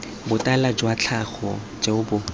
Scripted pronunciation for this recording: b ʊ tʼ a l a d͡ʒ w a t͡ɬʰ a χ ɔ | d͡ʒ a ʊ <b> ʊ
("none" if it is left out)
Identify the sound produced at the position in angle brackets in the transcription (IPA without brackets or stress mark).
b